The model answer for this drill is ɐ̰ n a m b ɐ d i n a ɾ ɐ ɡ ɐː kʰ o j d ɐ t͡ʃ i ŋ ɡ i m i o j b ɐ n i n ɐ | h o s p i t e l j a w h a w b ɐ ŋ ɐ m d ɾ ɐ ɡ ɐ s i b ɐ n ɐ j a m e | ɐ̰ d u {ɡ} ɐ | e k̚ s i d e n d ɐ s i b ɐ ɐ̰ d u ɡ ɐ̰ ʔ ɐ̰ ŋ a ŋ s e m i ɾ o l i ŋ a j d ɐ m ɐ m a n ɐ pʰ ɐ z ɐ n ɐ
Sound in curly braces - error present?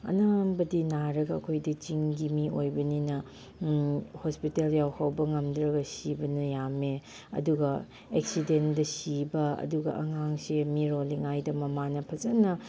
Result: no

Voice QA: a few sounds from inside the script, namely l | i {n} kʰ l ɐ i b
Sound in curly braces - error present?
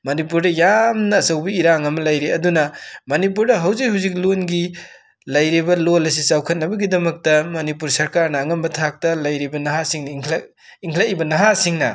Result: yes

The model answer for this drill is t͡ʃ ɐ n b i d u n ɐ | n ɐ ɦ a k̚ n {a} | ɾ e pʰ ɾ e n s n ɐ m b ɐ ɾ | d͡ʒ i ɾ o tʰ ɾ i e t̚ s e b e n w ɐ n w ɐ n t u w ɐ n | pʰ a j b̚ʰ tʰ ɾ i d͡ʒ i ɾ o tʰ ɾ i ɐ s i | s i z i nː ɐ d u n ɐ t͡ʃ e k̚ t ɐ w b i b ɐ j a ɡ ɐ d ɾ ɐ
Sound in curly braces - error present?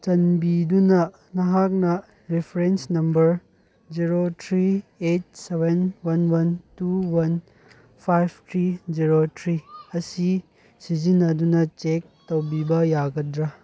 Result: yes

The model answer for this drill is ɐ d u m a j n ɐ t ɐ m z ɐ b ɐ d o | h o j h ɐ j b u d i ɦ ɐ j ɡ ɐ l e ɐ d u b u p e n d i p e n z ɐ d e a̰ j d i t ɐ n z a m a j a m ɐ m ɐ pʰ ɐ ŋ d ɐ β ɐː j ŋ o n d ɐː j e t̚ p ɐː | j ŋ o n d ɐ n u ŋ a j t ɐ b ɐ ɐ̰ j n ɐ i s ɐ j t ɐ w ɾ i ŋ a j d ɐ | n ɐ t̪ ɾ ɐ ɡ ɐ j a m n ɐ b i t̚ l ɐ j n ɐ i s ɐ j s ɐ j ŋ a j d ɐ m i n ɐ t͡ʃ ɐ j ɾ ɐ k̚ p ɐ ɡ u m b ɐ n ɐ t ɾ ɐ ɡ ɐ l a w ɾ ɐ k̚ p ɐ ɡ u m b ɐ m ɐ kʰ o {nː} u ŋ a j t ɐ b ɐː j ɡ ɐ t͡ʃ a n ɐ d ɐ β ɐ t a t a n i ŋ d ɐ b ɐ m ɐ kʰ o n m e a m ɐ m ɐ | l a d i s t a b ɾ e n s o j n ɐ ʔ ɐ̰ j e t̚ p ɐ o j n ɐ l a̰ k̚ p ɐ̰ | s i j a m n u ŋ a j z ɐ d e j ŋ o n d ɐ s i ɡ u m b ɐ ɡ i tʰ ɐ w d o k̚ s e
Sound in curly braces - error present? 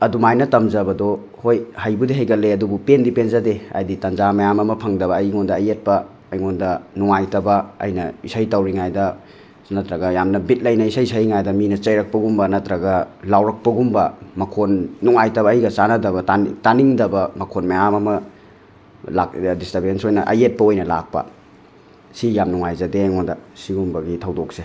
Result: no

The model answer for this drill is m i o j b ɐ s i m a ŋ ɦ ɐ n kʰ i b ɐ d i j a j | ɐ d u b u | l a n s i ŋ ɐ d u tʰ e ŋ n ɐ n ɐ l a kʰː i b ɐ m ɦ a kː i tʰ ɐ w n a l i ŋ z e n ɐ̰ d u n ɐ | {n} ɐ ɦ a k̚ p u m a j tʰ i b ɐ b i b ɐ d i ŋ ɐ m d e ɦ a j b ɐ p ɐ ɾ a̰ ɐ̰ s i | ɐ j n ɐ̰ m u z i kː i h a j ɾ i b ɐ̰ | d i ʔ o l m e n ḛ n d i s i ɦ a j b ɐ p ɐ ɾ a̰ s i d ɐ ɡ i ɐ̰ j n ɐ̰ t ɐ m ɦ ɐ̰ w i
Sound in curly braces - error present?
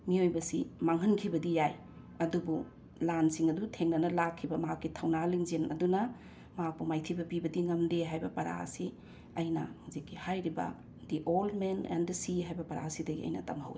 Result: yes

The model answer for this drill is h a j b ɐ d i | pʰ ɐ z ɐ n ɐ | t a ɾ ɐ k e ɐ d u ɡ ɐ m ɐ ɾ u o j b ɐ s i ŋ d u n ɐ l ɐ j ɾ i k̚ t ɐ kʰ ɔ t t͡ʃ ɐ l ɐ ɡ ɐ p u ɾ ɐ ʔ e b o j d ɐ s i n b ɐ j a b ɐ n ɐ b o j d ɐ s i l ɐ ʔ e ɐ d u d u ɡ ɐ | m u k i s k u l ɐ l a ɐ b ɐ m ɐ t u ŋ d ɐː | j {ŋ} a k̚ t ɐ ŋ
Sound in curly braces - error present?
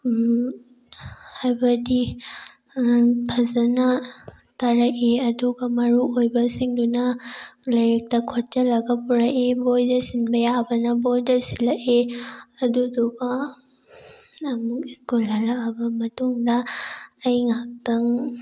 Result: no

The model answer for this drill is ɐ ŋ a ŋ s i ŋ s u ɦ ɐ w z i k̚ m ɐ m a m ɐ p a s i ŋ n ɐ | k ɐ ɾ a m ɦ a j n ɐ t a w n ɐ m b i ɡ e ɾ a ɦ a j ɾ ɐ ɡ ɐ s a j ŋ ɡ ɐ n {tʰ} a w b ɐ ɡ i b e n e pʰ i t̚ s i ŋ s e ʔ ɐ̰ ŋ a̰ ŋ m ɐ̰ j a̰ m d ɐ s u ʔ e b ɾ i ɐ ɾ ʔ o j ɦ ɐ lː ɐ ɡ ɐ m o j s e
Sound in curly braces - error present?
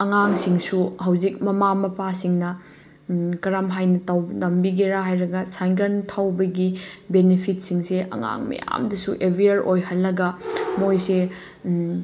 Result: no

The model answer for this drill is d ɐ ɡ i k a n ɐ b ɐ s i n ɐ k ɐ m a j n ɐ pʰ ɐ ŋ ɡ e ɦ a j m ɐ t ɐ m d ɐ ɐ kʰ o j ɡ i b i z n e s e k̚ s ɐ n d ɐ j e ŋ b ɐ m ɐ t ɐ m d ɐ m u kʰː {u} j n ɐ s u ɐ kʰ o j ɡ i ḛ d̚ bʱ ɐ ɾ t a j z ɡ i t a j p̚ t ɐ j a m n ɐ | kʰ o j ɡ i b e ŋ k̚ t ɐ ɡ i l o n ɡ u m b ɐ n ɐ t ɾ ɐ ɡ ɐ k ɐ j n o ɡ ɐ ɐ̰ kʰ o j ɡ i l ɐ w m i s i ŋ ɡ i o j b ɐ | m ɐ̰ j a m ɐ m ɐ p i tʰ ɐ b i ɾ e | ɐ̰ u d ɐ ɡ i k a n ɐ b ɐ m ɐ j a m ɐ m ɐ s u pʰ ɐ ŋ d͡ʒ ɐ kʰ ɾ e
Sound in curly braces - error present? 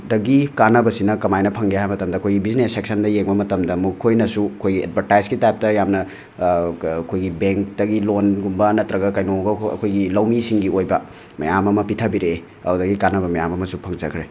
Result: yes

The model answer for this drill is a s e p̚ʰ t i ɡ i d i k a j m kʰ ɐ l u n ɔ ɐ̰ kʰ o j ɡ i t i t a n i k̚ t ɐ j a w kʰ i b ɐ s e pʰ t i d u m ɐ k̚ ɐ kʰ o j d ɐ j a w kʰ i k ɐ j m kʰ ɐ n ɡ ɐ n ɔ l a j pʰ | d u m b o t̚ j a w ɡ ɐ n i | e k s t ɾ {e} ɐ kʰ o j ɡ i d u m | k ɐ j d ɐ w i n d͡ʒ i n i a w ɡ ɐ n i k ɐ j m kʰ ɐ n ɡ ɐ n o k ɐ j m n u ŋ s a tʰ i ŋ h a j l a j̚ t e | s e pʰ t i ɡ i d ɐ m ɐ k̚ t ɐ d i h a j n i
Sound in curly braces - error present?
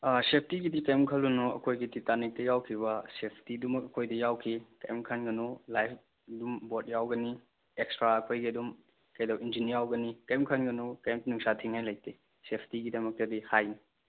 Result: yes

